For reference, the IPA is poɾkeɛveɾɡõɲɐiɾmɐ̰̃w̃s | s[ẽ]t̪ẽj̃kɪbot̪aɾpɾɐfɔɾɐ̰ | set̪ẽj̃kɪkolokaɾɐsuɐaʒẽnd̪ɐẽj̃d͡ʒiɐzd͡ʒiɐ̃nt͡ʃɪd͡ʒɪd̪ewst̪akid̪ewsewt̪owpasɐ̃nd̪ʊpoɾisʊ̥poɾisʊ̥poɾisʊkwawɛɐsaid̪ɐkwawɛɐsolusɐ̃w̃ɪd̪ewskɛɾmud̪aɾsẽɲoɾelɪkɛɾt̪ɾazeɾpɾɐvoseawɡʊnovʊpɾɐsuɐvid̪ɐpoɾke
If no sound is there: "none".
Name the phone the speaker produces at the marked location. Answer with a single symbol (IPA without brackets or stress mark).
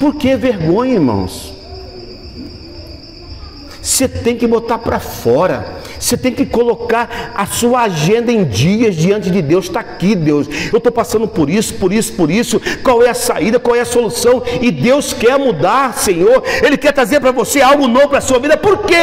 e